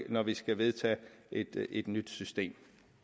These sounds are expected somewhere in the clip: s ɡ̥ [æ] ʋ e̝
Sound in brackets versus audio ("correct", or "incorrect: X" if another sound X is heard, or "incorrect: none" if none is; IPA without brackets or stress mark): correct